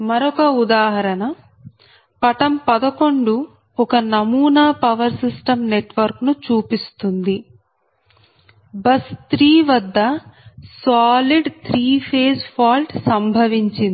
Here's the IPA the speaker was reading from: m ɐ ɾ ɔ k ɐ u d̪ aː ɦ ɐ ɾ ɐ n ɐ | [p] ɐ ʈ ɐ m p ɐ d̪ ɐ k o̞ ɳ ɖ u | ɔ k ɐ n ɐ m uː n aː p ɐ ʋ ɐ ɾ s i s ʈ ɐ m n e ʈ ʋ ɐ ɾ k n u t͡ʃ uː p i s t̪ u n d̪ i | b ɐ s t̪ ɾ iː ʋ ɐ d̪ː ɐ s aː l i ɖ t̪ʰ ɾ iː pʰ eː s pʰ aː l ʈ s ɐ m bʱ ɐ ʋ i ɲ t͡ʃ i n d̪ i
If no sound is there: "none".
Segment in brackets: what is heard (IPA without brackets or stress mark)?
p